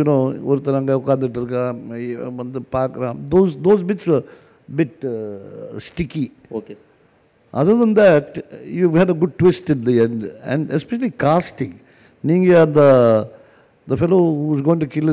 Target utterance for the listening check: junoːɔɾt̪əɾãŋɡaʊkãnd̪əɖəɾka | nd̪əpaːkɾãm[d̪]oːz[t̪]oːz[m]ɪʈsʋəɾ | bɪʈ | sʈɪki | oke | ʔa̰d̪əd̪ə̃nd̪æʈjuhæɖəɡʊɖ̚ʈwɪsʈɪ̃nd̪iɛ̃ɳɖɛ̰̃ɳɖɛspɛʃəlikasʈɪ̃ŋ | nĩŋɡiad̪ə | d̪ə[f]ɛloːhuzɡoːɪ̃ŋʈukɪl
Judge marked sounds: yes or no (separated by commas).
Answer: yes, no, no, yes